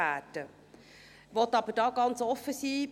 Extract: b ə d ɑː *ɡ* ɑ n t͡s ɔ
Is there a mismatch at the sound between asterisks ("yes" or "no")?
no